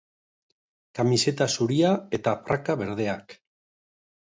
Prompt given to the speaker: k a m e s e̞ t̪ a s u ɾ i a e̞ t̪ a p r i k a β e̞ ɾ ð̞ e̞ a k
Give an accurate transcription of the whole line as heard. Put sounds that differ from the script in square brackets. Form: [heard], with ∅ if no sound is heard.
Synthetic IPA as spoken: k a m [i] s e̞ t̪ a s u ɾ i a e̞ t̪ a p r [a] k a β e̞ ɾ ð̞ e̞ a k